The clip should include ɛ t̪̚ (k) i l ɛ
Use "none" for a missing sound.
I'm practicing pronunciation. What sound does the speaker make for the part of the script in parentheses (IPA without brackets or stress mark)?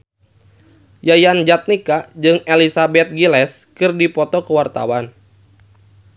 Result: ɡ